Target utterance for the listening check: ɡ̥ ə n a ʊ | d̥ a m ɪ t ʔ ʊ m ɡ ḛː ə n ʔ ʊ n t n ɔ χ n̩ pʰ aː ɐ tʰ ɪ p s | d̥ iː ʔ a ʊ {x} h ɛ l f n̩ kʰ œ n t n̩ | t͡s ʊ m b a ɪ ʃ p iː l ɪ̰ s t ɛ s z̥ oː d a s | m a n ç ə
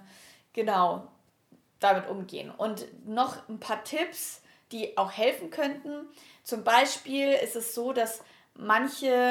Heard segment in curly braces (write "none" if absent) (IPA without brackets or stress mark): x